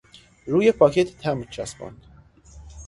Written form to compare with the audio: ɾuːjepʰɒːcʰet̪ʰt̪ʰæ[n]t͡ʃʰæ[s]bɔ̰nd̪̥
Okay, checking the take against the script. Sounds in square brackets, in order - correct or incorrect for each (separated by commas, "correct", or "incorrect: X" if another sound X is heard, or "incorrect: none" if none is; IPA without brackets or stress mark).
incorrect: m, correct